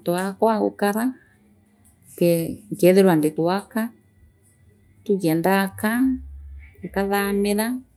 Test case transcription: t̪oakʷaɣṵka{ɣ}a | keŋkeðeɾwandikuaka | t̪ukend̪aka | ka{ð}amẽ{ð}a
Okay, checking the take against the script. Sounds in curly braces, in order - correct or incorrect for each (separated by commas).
incorrect, correct, correct